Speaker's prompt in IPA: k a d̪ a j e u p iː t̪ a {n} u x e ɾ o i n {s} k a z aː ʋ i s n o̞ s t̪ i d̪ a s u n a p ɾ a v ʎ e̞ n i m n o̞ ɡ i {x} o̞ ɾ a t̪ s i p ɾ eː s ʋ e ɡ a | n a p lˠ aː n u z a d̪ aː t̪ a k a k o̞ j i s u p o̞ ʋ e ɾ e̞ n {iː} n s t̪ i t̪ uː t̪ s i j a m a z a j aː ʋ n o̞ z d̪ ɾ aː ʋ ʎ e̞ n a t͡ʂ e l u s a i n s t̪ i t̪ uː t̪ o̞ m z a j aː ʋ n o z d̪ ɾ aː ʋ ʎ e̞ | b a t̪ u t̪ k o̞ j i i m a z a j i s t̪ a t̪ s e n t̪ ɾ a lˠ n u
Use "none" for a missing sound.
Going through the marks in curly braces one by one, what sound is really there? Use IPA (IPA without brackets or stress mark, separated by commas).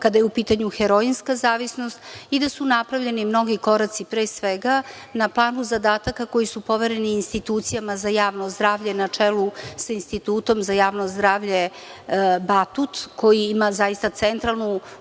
ɲ, s, k, iː